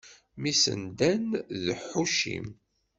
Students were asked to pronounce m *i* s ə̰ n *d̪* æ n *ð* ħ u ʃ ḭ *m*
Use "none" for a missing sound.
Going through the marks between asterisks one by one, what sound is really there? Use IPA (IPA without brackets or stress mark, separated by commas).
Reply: i, d̪, ð, m